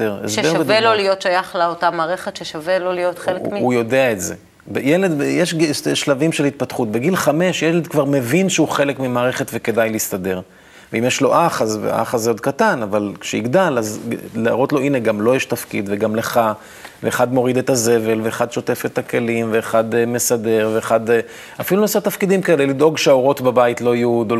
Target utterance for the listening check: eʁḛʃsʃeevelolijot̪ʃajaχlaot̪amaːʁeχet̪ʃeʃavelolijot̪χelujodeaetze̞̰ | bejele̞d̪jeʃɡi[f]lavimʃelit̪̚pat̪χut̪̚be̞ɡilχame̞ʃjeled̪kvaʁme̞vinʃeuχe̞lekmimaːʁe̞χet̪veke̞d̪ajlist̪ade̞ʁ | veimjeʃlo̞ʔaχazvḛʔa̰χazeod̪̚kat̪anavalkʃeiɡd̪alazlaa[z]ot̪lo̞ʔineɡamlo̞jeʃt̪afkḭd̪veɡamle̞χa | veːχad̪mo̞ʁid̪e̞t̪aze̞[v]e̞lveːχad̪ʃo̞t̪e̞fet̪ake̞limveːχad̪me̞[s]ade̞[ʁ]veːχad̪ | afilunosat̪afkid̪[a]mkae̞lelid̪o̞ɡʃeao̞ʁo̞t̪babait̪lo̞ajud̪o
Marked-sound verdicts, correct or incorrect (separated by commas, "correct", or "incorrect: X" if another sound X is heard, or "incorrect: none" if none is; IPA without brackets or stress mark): incorrect: ʃ, incorrect: ʁ, correct, correct, correct, incorrect: i